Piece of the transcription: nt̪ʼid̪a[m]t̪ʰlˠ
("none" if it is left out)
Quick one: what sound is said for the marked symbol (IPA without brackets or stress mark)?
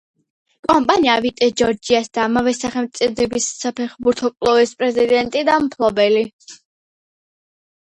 m